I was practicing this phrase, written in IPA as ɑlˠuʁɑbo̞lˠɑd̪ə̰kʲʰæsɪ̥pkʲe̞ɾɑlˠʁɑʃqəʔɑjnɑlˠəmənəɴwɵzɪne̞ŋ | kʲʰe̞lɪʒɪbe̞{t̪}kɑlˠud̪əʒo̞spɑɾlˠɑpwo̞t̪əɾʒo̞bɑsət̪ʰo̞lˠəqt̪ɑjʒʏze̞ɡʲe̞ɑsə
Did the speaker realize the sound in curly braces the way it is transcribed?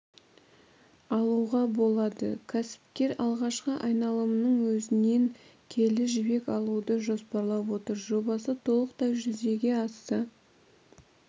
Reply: no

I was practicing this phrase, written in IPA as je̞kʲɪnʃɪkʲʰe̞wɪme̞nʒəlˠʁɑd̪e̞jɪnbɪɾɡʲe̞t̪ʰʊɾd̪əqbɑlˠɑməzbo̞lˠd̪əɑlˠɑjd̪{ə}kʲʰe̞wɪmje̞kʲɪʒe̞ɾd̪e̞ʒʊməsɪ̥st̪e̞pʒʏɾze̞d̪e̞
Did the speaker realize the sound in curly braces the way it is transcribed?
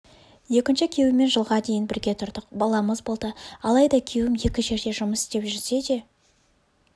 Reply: no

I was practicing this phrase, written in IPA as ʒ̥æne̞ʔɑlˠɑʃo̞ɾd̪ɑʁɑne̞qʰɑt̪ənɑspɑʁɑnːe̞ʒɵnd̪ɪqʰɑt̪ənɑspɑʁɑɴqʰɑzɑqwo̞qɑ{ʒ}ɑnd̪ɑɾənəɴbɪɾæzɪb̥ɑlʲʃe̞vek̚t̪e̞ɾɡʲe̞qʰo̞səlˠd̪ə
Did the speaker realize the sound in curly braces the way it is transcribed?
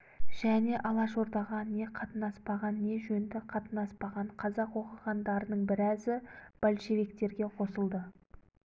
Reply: no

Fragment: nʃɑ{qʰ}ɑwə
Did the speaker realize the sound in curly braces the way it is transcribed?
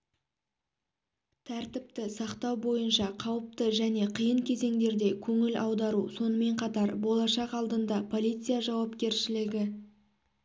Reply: yes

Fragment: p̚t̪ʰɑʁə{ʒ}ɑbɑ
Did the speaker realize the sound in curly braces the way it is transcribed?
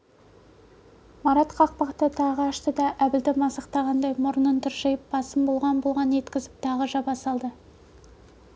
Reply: yes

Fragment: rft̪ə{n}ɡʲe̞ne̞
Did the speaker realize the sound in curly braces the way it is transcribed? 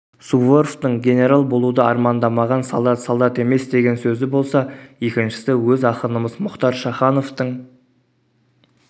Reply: no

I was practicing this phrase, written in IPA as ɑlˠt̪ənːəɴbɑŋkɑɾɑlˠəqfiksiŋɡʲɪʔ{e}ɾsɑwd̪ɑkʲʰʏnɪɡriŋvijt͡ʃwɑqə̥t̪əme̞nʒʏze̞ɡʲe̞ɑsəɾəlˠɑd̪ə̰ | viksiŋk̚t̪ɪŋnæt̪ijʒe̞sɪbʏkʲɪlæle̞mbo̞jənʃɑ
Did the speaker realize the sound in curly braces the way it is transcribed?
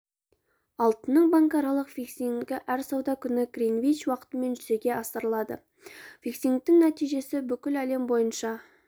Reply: no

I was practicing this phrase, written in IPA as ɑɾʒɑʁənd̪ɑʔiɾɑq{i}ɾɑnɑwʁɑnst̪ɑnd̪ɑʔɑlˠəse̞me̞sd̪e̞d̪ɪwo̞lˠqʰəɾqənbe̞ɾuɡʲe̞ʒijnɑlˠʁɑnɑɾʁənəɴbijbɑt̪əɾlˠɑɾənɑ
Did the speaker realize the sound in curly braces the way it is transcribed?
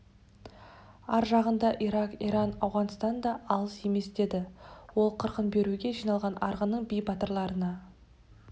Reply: yes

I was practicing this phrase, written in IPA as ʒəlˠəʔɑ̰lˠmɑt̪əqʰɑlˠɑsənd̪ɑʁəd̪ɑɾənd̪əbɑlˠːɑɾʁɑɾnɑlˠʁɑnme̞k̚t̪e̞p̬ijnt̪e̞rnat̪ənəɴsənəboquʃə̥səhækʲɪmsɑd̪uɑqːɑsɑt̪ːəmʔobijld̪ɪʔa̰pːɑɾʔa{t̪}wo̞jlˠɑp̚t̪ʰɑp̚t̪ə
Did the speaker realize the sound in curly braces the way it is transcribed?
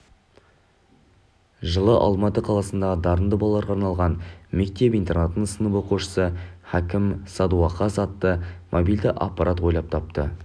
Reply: yes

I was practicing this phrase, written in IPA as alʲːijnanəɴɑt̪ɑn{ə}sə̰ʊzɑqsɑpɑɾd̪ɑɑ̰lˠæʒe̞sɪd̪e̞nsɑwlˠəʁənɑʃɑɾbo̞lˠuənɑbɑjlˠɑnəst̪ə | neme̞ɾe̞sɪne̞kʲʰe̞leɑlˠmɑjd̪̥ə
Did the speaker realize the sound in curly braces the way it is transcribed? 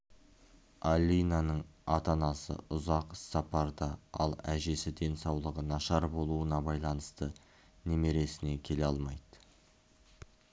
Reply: no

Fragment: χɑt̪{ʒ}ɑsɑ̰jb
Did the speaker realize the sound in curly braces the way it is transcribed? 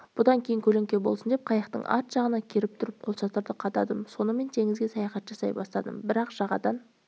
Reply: yes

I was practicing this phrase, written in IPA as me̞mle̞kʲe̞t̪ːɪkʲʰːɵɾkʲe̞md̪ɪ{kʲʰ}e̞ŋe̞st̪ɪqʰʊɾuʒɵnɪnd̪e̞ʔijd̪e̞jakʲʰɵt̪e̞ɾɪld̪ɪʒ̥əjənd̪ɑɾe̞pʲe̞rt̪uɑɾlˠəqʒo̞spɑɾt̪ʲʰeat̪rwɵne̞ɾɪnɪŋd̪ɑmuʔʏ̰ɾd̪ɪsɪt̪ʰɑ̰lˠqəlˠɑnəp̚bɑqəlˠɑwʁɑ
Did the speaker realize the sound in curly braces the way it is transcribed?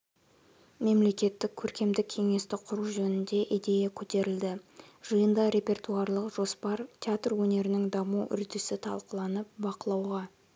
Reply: yes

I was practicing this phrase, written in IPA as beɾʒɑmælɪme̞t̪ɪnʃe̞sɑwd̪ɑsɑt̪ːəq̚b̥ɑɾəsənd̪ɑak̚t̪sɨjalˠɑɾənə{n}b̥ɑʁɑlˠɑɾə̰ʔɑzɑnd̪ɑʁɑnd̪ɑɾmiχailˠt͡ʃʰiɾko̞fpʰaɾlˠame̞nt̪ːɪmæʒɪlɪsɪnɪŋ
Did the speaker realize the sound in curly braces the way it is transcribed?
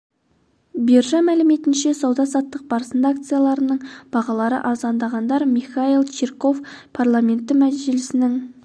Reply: no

